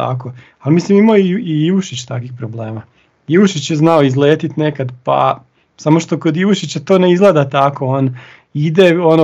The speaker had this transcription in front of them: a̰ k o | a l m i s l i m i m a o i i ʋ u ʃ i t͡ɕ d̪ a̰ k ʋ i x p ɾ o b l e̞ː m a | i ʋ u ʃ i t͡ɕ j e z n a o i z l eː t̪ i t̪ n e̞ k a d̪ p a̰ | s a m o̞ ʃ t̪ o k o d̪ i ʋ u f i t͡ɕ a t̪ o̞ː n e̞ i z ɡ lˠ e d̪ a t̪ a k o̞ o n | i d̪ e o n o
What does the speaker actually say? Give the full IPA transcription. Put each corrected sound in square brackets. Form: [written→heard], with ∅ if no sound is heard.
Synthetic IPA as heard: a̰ k o | a l m i s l i m i m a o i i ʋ u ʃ i t͡ɕ [d̪→t̪] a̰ k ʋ i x p ɾ o b l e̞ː m a | i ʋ u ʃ i t͡ɕ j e z n a o i z l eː t̪ i t̪ n e̞ k a d̪ p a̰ | s a m o̞ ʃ t̪ o k o d̪ i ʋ u [f→ʃ] i t͡ɕ a t̪ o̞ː n e̞ i z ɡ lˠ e d̪ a t̪ a k o̞ o n | i d̪ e o n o